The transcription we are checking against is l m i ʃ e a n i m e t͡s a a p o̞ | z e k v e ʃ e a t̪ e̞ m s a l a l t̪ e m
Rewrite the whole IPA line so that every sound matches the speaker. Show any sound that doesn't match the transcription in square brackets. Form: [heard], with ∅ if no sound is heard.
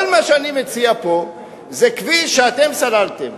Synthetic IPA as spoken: l m [a] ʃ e a n i m e t͡s [i] a p o̞ | z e k v [i] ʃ e a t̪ e̞ m s a l a l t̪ e m